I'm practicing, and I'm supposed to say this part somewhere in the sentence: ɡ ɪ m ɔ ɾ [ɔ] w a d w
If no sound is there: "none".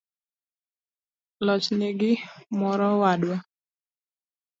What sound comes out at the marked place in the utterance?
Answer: ɔ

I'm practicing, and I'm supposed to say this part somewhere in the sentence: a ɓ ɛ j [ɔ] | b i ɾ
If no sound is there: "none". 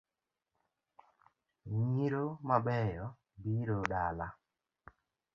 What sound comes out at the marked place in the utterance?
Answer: ɔ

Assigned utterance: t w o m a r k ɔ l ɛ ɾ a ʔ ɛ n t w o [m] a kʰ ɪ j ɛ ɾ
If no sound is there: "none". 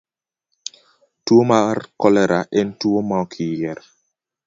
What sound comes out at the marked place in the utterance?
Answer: m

